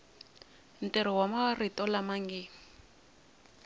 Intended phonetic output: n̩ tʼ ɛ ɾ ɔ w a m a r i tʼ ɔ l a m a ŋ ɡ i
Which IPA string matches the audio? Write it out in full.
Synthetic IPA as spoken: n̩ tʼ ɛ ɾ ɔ w a m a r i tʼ ɔ l a m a ŋ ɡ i

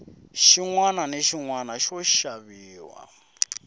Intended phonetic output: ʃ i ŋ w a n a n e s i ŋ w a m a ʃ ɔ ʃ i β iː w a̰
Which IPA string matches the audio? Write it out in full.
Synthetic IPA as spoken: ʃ i ŋ w a n a n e ʃ i ŋ w a n a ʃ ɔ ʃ a β iː w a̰

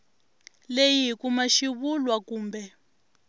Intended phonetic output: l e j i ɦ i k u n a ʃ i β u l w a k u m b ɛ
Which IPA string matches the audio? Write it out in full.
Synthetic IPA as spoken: l e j i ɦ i k u m a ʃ i β u l w a k uː m b ɛ

